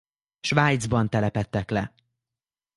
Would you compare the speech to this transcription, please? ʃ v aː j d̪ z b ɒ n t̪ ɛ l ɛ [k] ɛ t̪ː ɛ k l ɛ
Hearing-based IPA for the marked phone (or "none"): p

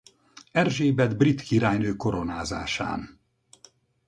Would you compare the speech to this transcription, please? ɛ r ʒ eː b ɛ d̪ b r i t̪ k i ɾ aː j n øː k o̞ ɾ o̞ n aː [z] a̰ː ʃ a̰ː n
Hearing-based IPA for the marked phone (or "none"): z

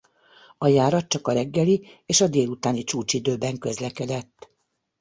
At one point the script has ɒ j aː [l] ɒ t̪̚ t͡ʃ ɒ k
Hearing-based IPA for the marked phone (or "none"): ɾ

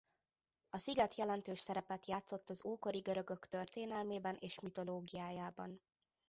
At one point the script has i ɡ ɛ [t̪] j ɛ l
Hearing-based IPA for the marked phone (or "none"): t̪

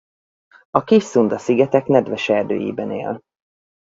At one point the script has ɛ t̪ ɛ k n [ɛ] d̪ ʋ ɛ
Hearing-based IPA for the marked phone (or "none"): ɛ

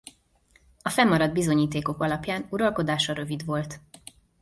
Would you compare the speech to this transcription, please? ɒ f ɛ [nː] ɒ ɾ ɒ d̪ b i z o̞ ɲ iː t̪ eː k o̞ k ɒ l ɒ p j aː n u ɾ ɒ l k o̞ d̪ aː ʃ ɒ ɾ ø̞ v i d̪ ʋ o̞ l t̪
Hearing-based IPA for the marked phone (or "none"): mː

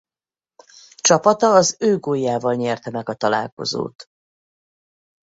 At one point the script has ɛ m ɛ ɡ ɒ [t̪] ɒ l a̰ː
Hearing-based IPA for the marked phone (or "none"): t̪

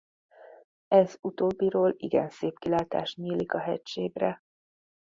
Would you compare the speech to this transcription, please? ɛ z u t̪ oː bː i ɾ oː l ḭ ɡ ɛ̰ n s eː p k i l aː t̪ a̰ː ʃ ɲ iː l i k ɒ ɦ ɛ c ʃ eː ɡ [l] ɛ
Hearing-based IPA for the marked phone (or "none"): r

